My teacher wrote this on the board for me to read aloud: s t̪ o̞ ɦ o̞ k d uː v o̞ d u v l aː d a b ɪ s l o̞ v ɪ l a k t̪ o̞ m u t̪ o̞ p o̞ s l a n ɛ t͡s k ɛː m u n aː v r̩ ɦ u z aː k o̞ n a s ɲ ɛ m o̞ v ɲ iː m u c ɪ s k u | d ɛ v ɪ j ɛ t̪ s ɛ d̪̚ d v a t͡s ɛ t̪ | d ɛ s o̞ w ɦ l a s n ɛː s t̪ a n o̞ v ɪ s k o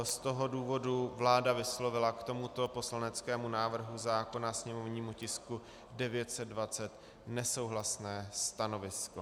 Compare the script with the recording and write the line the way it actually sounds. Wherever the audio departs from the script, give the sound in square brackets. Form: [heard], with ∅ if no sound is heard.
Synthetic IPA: s t̪ o̞ ɦ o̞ [∅] d uː v o̞ d u v l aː d a [v] ɪ s l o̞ v ɪ l a k t̪ o̞ m u t̪ o̞ p o̞ s l a n ɛ t͡s k ɛː m u n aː v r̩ ɦ u z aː k o̞ n a s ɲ ɛ m o̞ v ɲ iː m u c ɪ s k u | d ɛ v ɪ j ɛ t̪ s ɛ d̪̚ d v a t͡s ɛ t̪ | [n] ɛ s o̞ w ɦ l a s n ɛː s t̪ a n o̞ v ɪ s k o